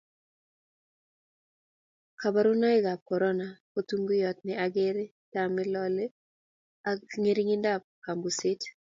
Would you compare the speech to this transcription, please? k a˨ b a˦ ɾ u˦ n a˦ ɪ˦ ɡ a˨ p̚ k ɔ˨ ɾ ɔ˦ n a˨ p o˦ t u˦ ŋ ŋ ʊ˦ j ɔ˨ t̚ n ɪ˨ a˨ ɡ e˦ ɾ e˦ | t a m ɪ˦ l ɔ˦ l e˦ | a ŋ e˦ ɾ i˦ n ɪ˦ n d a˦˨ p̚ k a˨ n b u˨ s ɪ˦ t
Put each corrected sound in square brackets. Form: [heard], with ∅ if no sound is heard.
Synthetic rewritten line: k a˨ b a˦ ɾ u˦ n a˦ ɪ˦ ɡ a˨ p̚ k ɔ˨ ɾ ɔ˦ n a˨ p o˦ t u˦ ŋ [ɡ] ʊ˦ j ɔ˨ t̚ n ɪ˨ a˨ ɡ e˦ ɾ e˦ | t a m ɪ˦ l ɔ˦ l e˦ | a ŋ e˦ ɾ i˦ [ŋ] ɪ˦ n d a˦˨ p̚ k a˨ [m] b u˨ s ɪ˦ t